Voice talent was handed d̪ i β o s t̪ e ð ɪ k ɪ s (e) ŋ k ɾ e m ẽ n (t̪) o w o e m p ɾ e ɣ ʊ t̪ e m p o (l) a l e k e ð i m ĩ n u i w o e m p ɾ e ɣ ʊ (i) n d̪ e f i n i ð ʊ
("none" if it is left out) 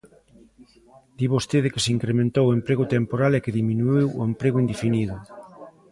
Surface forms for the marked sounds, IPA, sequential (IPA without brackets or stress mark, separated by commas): i, t̪, ɾ, i